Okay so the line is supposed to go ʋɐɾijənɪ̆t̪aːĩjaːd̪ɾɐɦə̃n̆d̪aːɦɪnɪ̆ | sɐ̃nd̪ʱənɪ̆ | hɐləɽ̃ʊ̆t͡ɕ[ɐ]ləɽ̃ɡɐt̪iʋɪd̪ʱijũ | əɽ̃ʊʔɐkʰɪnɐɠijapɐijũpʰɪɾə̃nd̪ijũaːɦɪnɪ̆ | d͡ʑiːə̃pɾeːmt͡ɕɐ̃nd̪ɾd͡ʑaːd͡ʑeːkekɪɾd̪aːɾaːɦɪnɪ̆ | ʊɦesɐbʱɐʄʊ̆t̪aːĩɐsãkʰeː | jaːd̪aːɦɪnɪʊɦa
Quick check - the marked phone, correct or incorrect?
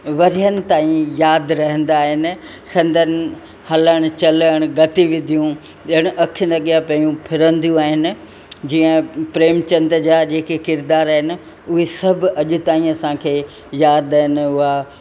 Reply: correct